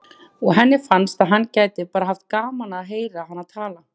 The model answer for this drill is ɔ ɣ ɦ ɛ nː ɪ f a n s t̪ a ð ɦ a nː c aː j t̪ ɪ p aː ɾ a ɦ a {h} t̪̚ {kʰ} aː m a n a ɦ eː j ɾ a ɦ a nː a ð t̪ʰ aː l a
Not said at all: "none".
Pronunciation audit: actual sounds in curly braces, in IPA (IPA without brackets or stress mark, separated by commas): f, k